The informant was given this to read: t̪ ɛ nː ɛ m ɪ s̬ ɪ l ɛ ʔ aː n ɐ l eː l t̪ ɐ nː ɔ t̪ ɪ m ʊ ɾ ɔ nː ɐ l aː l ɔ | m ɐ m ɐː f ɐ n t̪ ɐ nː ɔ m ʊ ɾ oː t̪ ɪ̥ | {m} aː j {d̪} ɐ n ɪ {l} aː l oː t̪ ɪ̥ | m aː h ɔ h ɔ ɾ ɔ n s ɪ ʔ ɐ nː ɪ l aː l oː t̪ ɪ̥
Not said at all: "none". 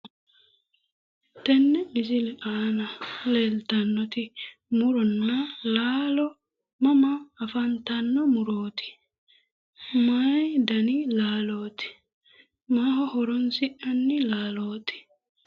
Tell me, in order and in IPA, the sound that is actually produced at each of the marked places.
m, d̪, l

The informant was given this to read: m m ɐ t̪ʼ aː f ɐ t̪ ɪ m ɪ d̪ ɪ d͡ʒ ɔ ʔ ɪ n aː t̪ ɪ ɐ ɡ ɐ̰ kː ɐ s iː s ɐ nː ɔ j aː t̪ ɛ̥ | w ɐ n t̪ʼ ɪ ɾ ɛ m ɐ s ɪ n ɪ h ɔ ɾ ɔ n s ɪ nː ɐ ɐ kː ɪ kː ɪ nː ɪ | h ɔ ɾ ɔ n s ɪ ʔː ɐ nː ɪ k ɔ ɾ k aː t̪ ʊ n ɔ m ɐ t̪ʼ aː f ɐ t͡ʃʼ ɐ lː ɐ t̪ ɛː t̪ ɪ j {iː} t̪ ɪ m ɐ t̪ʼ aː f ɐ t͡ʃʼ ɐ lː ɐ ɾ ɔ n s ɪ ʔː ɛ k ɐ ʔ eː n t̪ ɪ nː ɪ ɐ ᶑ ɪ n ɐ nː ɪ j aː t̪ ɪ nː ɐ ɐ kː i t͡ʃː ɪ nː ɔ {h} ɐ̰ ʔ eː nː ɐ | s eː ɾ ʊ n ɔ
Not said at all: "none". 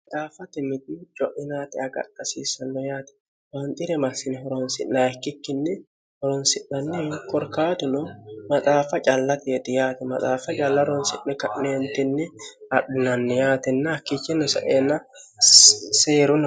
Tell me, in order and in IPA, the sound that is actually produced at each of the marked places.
aː, s

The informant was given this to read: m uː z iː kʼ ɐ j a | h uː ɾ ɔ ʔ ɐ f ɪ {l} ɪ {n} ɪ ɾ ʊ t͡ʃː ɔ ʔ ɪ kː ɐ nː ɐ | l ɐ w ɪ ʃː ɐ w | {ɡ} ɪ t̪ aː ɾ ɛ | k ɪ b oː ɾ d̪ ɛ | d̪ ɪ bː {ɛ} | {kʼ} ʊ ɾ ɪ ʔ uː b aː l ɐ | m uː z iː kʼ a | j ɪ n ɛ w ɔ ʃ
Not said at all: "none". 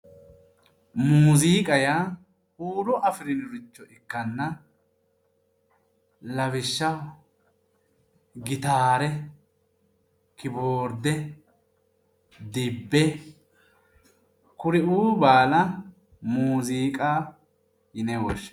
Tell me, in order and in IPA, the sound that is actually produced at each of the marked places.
ɾ, n, ɡ, ɛ, k

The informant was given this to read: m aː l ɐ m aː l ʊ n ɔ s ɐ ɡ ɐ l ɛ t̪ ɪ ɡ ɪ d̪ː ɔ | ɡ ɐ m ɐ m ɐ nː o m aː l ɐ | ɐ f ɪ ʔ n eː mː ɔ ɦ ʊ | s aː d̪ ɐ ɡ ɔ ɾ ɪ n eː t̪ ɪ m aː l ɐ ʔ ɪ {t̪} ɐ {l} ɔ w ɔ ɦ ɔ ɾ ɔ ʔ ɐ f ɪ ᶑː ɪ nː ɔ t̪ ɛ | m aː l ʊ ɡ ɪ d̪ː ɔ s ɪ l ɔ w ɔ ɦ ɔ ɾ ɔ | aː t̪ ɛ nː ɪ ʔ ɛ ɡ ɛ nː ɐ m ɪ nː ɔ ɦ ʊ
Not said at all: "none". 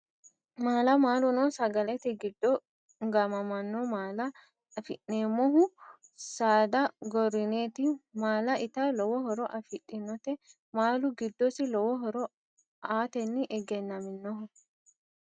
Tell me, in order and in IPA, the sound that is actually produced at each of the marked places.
t̪, l

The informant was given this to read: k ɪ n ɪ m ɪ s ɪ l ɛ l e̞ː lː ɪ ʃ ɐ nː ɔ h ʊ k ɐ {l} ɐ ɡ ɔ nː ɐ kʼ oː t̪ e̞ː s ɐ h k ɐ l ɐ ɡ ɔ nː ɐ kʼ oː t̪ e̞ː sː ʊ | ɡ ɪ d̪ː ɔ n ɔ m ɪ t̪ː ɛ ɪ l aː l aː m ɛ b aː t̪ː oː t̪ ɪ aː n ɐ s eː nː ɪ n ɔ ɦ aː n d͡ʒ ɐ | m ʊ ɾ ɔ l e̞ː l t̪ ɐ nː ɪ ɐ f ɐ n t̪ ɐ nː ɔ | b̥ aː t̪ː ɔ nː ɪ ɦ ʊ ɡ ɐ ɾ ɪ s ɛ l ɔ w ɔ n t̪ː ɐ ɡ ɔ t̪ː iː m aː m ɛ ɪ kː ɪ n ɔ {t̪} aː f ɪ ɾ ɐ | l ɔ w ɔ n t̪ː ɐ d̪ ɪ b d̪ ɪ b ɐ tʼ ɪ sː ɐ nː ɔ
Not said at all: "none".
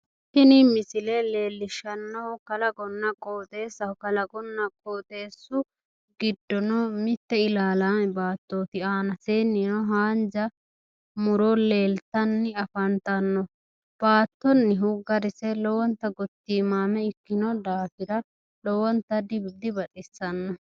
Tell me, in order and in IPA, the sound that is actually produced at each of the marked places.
l, d̪

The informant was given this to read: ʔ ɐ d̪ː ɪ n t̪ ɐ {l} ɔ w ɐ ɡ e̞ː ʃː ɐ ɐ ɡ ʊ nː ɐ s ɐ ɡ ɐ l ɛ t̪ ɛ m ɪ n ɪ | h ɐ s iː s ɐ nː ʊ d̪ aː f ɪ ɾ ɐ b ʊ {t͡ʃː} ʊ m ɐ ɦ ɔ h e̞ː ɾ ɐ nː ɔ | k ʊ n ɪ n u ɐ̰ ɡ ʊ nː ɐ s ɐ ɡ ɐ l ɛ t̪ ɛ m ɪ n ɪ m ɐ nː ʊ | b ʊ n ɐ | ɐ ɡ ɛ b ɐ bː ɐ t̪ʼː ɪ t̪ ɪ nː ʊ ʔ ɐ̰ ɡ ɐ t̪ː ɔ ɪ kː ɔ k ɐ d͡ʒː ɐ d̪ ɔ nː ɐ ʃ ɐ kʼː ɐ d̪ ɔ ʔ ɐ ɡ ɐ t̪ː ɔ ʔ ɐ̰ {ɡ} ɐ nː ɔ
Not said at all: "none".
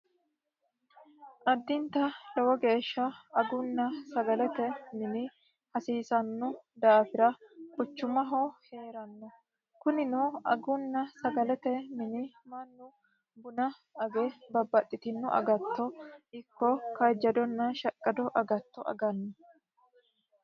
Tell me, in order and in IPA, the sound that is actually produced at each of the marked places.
l, t͡ʃː, ɡ

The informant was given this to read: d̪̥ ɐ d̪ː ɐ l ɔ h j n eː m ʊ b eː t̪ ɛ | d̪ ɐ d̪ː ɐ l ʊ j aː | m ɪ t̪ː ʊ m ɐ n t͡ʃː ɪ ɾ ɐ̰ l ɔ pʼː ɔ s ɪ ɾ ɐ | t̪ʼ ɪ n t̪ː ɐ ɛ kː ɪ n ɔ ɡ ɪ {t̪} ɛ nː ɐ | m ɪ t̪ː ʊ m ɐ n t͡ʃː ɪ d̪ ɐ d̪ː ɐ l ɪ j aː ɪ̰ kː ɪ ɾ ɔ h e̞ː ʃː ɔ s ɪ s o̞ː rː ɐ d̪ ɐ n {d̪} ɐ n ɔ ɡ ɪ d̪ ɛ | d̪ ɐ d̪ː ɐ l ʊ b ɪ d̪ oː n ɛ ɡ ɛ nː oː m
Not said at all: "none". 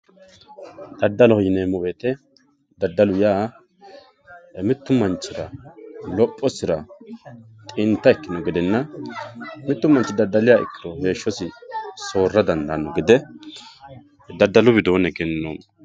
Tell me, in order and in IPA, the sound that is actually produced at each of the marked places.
d̪, d̪

